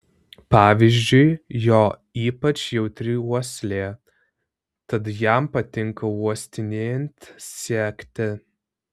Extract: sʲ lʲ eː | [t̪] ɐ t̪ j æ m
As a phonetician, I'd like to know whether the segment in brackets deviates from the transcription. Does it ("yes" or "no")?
no